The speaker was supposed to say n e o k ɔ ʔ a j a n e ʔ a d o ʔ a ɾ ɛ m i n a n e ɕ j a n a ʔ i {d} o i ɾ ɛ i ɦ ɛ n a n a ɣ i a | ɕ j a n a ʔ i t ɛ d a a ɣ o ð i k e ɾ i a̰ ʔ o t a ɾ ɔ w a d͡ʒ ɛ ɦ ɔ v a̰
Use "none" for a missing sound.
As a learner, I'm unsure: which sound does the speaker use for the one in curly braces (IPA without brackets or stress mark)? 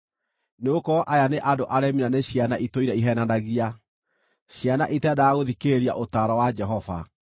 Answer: t